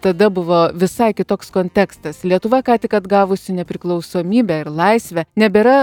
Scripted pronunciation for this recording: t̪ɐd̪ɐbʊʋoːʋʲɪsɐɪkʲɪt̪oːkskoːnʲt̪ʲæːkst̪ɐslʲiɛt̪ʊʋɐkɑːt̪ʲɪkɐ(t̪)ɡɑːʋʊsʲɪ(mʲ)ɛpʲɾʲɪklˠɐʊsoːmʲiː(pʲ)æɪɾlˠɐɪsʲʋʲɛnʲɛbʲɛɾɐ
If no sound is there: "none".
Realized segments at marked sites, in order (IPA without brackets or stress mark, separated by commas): d̪, nʲ, bʲ